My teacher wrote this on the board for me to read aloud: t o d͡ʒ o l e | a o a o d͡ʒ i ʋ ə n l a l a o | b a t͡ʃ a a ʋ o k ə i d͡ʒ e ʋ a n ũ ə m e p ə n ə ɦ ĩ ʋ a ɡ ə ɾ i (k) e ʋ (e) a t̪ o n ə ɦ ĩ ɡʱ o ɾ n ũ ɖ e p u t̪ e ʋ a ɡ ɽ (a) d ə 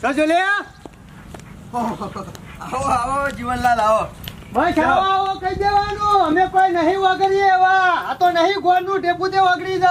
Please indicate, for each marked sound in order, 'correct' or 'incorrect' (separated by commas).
incorrect, incorrect, incorrect